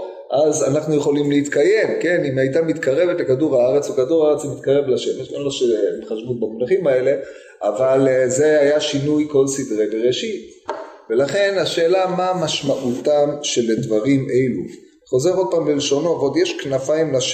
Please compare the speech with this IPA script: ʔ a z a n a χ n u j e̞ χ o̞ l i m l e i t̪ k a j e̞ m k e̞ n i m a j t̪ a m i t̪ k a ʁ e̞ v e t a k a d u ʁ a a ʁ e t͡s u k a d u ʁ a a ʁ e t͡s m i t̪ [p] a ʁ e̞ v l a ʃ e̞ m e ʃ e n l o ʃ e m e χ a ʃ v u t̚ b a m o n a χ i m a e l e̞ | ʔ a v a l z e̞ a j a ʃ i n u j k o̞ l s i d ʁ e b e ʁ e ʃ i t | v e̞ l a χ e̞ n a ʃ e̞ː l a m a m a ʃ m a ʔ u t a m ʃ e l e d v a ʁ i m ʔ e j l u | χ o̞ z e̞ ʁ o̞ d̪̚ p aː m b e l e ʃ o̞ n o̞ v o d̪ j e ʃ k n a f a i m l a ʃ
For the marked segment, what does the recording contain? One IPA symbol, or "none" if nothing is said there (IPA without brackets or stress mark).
k